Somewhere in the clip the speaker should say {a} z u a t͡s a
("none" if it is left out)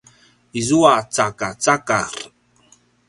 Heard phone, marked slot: i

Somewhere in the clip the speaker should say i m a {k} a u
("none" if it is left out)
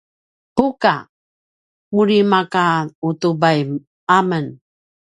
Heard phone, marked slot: k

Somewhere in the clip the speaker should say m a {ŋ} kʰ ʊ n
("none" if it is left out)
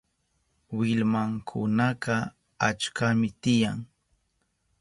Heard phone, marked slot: ŋ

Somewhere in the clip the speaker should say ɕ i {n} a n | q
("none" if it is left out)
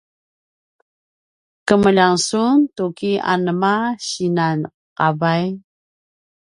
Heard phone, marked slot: n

